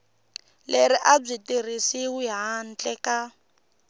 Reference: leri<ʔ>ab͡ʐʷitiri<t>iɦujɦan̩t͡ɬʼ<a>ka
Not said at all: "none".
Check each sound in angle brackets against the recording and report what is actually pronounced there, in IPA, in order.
ʔ, s, ɛ

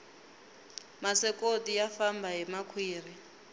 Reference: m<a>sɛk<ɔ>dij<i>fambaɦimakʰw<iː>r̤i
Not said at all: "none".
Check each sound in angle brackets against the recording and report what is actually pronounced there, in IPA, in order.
a, o, a, iː

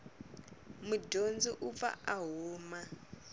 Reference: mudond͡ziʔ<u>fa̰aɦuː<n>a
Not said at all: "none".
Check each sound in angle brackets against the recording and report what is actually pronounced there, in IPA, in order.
u, m

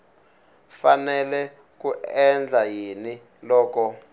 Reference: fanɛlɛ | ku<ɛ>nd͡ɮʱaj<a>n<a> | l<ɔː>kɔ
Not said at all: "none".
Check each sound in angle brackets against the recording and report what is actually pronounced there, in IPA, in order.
ɛ, i, i, ɔː

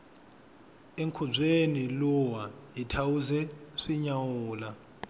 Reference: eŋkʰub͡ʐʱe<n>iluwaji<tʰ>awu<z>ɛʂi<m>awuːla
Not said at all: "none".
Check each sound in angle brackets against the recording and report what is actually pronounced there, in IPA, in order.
n, tʰ, z, ɲ

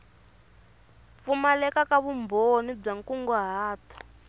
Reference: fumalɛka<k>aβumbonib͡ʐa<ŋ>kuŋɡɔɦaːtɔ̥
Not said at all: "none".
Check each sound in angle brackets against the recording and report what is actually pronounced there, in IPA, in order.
k, ŋ

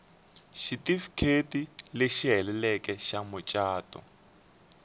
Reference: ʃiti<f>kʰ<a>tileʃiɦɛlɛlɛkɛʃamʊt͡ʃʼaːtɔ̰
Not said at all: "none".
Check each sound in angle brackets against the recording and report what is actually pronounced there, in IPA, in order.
f, e

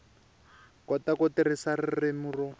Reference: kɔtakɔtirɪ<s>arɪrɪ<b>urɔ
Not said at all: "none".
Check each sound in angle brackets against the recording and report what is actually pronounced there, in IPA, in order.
s, m

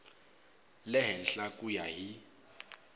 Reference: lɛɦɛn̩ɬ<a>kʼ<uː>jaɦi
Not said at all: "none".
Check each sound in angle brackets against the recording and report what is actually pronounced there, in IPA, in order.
a, u

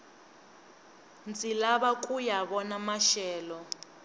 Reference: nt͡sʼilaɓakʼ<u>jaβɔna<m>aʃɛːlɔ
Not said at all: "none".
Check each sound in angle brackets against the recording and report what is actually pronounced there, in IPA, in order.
u, m

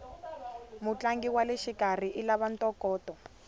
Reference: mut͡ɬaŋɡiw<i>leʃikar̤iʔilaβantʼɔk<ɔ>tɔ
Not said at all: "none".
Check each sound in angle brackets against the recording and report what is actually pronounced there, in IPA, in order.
a, ɔː

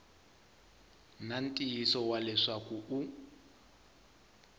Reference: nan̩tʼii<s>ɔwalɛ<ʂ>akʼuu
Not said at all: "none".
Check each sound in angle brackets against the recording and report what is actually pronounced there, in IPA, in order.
s, ʂ

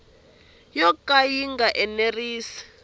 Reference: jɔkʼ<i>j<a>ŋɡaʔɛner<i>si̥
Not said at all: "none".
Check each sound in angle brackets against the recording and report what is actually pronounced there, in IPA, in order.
a, i, iː

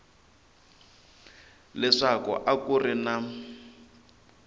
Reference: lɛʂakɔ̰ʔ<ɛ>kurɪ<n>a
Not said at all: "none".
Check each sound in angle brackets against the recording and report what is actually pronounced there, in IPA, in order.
a, n

